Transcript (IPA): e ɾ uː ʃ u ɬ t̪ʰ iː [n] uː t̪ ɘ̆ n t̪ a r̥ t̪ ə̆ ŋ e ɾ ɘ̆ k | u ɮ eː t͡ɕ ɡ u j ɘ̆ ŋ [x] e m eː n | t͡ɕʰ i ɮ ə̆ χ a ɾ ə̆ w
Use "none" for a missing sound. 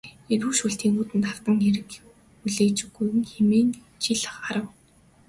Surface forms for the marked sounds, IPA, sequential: ŋ, x

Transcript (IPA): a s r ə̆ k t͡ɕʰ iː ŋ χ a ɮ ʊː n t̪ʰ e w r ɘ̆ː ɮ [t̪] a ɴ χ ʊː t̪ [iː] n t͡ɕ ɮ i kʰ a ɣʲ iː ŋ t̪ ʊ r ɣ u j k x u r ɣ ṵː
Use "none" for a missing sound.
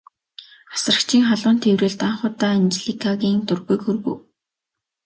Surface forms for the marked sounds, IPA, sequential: t̪, aː

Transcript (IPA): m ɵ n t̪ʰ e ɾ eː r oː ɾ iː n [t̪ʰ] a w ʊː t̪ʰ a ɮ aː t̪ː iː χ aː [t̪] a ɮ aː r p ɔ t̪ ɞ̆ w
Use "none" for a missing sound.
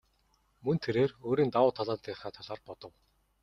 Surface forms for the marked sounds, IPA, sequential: t̪, t̪ʰ

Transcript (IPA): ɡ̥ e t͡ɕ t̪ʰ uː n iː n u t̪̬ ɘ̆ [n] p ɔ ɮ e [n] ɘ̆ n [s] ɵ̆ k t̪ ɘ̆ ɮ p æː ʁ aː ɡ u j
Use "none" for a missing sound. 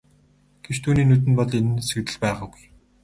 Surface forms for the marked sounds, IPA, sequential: n, n, s

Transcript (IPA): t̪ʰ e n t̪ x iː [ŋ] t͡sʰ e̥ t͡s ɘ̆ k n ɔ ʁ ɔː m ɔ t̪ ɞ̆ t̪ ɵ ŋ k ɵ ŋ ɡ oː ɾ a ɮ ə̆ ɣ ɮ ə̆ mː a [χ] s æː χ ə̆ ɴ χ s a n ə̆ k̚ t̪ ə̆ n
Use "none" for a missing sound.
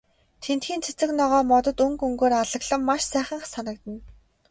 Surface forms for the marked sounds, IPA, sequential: n, ʃ

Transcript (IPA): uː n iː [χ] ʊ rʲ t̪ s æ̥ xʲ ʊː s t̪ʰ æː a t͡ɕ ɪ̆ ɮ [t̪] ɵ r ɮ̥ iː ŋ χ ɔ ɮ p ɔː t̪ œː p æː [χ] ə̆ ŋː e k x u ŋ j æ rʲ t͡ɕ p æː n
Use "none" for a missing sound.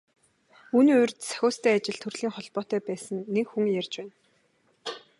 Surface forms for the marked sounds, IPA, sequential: none, t̪ʰ, s

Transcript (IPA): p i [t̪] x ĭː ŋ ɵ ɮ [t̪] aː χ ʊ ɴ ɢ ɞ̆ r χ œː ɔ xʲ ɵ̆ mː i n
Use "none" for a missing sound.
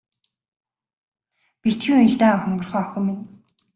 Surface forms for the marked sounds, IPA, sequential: t̪, t̪

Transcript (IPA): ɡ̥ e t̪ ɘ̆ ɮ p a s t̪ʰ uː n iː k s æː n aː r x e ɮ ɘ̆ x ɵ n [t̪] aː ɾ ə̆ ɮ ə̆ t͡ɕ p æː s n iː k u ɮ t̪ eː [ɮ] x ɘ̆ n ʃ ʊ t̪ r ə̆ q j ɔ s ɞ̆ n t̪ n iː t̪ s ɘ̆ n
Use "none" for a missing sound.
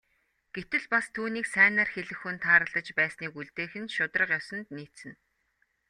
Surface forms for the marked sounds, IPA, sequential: t̪ʰ, none

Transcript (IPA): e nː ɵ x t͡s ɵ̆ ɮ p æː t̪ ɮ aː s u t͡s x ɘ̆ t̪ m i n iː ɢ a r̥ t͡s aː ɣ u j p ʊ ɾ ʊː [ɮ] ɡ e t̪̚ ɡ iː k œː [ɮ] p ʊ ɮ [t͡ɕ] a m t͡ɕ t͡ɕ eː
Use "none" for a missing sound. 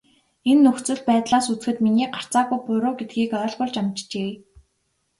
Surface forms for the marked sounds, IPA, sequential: none, ɮ, t͡ɕ

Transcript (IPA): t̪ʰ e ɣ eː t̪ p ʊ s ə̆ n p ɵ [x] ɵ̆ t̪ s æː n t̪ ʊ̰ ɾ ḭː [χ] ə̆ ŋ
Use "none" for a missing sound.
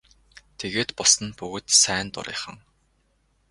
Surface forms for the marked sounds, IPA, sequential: ɣ, χ

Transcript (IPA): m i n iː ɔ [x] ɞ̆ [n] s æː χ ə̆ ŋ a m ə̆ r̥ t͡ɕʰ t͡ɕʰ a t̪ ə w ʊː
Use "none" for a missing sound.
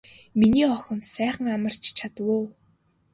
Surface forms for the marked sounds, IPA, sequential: x, n

